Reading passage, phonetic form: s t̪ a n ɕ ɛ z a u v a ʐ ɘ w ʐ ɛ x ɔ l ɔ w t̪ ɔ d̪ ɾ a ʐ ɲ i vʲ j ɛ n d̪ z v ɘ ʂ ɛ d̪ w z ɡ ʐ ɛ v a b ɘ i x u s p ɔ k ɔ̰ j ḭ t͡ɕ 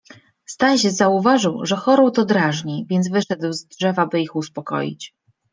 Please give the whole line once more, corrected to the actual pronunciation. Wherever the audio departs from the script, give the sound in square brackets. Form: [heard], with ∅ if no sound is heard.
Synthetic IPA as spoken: s t̪ a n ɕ ɛ z a u v a ʐ ɘ w ʐ ɛ x ɔ [ɾ] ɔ w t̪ ɔ d̪ ɾ a ʐ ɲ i vʲ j ɛ n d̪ z v ɘ ʂ ɛ d̪ w z [d] ʐ ɛ v a b ɘ i x u s p ɔ k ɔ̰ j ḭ t͡ɕ